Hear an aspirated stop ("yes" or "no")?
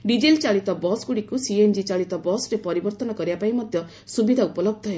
no